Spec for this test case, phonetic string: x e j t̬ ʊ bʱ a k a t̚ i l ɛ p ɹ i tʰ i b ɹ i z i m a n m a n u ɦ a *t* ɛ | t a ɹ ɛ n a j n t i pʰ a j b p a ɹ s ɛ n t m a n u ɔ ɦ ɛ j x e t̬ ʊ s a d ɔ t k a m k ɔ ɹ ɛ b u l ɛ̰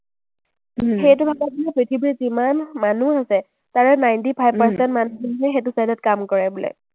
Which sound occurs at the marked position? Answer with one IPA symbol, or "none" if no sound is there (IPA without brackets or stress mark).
s